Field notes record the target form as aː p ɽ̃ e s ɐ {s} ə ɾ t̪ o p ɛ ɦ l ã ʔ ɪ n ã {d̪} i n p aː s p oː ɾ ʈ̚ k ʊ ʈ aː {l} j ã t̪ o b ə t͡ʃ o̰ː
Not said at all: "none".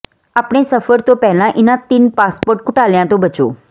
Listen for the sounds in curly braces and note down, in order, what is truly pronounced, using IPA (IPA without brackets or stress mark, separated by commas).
f, t̪, l